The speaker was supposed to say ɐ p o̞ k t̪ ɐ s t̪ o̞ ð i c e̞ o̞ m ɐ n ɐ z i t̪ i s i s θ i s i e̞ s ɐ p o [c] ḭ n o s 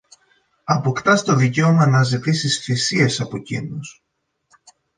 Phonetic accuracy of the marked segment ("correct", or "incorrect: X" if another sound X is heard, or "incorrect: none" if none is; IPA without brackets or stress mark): correct